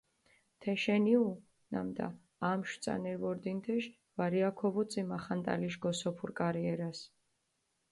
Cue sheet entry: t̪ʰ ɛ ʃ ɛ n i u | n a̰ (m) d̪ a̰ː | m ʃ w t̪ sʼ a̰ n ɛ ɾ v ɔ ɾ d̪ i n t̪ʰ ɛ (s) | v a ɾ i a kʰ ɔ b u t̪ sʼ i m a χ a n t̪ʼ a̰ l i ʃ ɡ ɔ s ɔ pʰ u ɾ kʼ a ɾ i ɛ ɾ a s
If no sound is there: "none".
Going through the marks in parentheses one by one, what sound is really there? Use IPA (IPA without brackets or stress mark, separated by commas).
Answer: m, ʃ